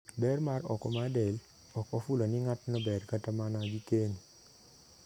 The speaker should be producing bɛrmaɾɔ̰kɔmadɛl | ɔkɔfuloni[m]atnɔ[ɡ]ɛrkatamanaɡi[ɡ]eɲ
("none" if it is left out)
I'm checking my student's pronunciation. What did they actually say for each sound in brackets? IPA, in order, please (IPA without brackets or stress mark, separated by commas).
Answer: ŋ, b, k